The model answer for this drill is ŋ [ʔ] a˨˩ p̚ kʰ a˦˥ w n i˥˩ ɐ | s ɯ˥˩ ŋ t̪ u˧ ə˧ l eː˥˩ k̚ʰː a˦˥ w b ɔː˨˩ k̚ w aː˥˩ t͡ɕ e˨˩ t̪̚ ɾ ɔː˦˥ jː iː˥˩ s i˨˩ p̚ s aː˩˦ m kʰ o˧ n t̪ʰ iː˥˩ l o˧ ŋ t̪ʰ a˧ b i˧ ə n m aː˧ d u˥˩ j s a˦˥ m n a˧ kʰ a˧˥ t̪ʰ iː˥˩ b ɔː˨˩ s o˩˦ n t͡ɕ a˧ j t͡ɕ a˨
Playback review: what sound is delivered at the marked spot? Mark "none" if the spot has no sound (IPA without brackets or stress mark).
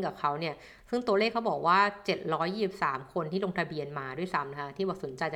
k